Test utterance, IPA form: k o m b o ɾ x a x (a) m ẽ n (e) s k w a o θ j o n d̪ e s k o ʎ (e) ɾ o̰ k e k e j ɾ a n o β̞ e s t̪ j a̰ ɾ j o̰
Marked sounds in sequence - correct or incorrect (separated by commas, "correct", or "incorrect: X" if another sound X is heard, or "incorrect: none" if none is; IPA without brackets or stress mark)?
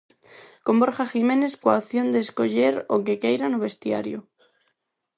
incorrect: i, correct, correct